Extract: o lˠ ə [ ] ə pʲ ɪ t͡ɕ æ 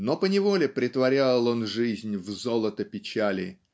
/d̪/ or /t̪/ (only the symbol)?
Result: t̪